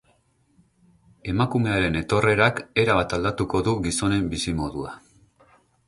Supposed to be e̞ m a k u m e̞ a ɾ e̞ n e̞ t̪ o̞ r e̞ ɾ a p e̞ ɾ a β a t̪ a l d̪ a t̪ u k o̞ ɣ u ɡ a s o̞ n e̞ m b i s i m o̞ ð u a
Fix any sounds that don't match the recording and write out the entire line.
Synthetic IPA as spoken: e̞ m a k u m e̞ a ɾ e̞ n e̞ t̪ o̞ r e̞ ɾ a k e̞ ɾ a β a t̪ a l d̪ a t̪ u k o̞ ð u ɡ i s o̞ n e̞ m b i s i m o̞ ð u a